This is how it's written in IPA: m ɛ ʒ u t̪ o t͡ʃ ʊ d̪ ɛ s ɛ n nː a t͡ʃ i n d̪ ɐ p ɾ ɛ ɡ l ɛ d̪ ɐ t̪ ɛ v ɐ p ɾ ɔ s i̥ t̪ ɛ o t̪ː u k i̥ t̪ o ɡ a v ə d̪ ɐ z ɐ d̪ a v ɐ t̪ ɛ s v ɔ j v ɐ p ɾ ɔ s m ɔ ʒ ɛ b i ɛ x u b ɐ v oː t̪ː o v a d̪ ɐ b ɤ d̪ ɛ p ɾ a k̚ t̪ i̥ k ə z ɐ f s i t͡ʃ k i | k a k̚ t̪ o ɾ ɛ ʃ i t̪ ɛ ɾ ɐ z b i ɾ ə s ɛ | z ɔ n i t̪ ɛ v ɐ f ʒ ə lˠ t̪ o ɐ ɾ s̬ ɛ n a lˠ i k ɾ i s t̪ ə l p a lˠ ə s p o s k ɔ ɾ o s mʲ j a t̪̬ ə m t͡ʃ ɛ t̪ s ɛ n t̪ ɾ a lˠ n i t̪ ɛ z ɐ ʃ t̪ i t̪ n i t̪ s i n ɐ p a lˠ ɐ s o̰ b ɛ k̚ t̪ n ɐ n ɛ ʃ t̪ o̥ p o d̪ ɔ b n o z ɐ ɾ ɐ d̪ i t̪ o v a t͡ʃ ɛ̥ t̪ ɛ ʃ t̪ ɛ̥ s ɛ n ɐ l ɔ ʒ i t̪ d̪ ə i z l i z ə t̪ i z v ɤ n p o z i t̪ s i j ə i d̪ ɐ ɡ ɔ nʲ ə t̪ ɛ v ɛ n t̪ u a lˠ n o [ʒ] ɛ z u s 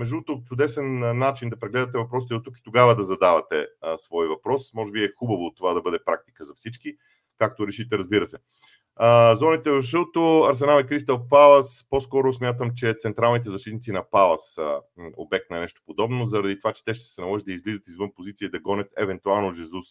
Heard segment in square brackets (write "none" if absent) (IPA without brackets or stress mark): ʒ